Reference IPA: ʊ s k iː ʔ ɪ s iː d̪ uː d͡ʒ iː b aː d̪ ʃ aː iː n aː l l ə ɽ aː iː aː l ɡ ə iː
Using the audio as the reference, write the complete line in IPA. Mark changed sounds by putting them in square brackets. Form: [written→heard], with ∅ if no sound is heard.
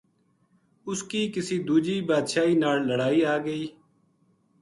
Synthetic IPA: ʊ s k iː [ʔ→k] ɪ s iː d̪ uː d͡ʒ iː b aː d̪ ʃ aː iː n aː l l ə ɽ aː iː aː [l→∅] ɡ ə iː